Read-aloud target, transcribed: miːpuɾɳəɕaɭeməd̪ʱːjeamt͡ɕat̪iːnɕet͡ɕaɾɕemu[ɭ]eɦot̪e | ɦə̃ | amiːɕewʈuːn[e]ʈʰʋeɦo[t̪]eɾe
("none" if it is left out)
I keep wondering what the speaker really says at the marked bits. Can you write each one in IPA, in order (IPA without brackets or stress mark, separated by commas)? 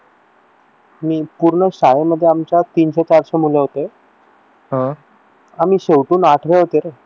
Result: l, a, t̪